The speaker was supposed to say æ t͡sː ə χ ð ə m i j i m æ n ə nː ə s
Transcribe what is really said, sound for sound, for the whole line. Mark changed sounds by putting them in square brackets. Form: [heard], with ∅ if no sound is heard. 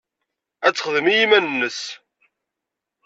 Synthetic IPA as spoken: æ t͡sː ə χ ð ə m i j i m æ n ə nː ə s